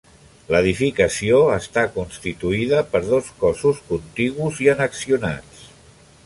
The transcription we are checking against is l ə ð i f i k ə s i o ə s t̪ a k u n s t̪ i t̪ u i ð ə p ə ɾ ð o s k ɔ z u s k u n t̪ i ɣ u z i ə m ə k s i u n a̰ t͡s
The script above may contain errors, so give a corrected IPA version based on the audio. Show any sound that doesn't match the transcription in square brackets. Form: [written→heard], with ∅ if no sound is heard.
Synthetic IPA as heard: l ə ð i f i k ə s i o ə s t̪ a k u n s t̪ i t̪ u i ð ə p ə ɾ ð o s k ɔ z u s k u n t̪ i ɣ u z i ə [m→n] ə k s i u n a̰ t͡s